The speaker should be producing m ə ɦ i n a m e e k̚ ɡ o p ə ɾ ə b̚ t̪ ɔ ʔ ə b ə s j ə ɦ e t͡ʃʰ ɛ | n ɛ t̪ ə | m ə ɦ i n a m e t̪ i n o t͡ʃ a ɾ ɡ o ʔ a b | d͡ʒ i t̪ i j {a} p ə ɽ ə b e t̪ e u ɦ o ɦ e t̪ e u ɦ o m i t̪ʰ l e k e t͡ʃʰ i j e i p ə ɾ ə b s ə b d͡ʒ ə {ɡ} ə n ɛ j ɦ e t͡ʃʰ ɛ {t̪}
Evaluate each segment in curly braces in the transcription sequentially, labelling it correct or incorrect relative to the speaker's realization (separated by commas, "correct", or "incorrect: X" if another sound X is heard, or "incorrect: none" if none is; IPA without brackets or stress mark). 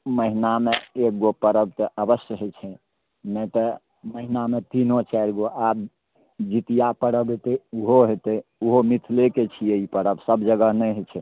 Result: correct, correct, incorrect: none